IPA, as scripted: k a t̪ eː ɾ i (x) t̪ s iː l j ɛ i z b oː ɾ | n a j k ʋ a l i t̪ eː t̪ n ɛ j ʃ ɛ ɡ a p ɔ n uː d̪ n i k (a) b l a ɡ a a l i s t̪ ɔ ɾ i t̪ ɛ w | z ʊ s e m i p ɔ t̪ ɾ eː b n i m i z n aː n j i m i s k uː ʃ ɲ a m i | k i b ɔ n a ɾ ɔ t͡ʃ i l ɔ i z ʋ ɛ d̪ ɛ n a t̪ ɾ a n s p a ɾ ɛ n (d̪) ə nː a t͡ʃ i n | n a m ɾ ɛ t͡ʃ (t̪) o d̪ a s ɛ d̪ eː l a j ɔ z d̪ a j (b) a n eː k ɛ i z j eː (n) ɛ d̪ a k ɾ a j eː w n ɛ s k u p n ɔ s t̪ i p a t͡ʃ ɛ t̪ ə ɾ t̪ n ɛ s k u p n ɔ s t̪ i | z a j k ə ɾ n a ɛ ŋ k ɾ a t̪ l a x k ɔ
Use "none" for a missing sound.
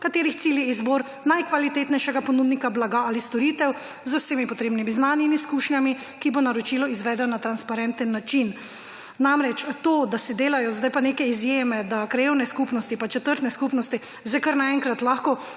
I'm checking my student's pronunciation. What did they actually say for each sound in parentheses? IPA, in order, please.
x, a, t̪, t̪, p, m

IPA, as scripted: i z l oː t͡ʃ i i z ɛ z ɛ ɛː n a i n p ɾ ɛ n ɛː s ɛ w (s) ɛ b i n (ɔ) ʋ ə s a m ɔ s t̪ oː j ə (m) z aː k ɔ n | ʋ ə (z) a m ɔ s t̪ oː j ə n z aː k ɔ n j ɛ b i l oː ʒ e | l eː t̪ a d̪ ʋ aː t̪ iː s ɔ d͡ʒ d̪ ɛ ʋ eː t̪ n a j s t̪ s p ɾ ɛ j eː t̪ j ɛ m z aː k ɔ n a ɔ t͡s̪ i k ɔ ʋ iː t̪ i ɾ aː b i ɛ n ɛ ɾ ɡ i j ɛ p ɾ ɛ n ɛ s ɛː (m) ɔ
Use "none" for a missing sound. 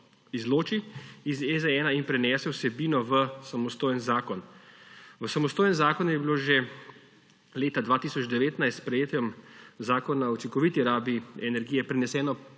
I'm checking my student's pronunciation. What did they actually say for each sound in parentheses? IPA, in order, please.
s, ɔ, n, s, n

